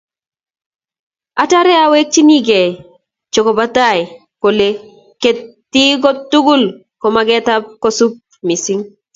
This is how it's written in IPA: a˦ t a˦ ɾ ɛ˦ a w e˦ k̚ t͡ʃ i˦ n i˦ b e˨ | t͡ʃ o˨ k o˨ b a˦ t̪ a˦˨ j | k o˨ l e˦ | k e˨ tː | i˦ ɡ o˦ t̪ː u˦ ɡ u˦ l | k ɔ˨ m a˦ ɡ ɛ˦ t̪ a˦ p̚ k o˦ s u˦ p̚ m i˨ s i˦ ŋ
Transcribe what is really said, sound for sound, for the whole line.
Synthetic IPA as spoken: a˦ t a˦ ɾ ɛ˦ a w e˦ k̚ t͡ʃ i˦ n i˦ ɡ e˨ | t͡ʃ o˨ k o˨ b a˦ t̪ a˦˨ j | k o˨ l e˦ | k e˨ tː | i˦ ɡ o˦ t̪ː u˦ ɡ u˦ l | k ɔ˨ m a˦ ɡ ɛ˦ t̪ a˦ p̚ k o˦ s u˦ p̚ m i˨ s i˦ ŋ